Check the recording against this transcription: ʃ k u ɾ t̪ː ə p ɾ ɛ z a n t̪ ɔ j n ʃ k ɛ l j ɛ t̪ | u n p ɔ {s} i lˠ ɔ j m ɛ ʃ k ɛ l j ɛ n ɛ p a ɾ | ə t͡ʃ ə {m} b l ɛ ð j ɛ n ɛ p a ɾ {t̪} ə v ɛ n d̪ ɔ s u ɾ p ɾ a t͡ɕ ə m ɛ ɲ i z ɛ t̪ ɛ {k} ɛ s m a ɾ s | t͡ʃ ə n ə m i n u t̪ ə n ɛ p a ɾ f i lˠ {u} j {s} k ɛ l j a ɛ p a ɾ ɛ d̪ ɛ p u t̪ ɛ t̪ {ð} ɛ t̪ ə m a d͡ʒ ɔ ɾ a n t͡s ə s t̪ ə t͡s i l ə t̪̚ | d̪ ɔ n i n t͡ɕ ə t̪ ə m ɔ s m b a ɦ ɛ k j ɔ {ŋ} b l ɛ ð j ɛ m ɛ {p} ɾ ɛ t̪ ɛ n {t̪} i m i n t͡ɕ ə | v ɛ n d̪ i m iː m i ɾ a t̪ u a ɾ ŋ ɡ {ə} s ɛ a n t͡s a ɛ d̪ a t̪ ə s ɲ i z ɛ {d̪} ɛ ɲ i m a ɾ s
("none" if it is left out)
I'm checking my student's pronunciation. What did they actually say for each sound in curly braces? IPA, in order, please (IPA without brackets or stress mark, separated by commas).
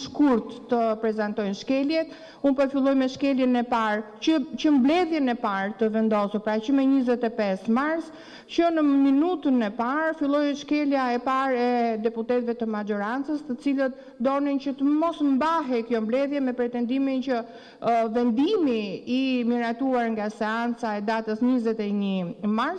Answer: f, m, t̪, p, ɔ, ʃ, v, m, p, d̪, a, t̪